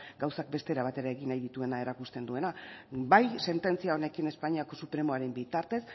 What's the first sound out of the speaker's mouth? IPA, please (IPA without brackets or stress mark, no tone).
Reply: ɡ